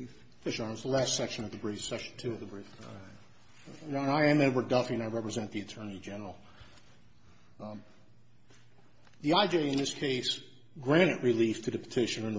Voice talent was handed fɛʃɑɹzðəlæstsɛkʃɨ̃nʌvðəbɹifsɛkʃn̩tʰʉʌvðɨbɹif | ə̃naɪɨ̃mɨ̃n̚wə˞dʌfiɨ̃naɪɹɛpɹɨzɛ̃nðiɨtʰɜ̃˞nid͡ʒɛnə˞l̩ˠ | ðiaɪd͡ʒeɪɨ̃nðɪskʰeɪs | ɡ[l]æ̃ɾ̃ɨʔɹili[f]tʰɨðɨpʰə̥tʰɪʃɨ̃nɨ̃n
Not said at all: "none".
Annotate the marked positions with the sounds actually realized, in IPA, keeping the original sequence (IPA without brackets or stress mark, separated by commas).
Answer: ɹ, f